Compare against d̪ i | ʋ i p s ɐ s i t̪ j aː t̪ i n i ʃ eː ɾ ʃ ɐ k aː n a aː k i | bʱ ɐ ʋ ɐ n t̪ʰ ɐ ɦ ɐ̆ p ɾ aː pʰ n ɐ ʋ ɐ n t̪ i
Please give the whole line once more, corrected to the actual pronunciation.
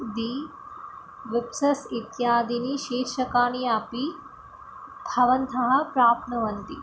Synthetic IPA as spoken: d̪ i | ʋ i p s ɐ s i t̪ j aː d̪ i n i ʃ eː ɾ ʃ ɐ k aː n i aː p i | bʱ ɐ ʋ ɐ n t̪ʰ ɐ ɦ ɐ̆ p ɾ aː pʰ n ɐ ʋ ɐ n t̪ i